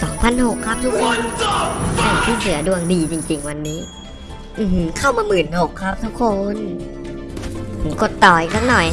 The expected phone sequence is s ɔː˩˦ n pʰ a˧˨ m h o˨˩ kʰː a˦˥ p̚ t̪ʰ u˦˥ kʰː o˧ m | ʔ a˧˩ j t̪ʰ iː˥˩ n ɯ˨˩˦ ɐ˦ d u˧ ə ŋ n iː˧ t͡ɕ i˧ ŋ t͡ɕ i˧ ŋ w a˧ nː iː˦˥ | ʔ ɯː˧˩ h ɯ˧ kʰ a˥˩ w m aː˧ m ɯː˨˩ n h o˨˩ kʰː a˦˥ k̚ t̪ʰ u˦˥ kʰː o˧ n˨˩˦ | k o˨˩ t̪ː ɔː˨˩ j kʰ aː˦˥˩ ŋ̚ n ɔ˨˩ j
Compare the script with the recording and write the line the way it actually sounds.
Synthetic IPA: s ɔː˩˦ ŋ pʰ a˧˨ n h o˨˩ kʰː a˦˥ p̚ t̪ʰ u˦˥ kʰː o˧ n | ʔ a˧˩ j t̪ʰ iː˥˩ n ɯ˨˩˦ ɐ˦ d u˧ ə ŋ d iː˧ t͡ɕ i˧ ŋ t͡ɕ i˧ ŋ w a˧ nː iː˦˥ | ʔ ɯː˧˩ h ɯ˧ kʰ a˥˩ w m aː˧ m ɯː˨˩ n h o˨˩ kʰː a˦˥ p̚ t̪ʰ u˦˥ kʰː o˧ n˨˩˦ | k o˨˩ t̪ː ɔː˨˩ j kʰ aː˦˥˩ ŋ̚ n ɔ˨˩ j

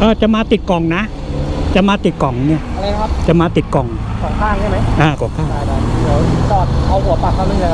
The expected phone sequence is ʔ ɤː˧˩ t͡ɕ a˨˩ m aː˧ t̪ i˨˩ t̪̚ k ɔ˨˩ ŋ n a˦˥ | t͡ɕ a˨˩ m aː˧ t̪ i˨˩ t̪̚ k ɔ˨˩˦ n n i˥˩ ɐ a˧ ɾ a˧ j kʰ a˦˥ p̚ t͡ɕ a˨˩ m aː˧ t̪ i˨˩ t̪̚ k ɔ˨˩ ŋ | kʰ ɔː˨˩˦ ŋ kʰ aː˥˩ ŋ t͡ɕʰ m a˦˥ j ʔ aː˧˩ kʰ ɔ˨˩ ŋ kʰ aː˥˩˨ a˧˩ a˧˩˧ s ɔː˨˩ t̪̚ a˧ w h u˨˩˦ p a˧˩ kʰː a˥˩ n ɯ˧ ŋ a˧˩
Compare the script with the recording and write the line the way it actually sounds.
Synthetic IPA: ʔ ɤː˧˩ t͡ɕ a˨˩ m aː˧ t̪ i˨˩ t̪̚ k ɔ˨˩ ŋ n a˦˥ | t͡ɕ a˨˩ m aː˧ t̪ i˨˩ t̪̚ k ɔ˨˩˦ ŋ n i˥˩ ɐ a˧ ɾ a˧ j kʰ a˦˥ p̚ t͡ɕ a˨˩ m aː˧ t̪ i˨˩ t̪̚ k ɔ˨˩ ŋ | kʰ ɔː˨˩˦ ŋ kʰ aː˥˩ ŋ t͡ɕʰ m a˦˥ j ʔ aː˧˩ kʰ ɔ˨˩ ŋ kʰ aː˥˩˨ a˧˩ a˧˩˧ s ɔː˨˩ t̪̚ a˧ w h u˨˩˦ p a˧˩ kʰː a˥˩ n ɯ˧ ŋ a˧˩

